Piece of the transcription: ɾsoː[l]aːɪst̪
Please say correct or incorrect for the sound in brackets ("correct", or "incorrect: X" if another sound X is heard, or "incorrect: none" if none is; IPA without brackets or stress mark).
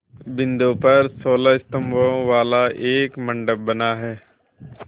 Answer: correct